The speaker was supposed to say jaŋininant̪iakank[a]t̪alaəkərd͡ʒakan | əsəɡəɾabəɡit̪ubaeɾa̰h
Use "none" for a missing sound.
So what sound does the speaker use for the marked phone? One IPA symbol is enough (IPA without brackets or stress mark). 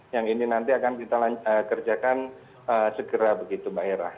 i